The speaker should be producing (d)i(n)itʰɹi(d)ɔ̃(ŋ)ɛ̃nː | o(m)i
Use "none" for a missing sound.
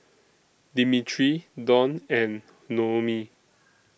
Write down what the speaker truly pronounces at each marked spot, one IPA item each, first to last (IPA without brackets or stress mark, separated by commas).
d, m, d, n, m